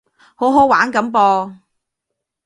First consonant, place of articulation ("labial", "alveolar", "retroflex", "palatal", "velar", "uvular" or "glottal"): glottal